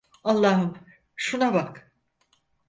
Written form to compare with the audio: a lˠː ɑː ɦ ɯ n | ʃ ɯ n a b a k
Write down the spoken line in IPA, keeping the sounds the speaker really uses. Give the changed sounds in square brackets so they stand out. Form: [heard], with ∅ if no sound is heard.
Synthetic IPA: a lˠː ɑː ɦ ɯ [m] | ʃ [u] n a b a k